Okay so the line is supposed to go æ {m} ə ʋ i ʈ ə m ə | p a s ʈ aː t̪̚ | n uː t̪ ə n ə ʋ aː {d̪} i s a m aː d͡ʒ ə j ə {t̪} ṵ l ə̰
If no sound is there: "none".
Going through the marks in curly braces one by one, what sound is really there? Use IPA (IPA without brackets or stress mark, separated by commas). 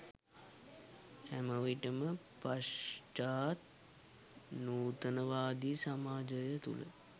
m, d̪, t̪